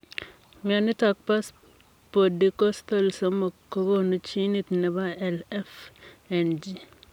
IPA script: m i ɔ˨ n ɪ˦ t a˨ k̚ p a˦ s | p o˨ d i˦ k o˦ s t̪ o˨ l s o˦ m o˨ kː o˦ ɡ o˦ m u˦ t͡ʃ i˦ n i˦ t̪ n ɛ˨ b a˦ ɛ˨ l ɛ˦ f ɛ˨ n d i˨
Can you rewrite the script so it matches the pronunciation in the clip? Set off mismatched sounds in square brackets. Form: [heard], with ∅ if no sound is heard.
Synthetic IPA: m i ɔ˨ n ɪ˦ t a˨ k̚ p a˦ s | p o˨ d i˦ k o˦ s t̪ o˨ l s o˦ m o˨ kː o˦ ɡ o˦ [n] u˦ t͡ʃ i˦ n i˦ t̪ n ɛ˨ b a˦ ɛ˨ l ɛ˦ f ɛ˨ n [d͡ʒ] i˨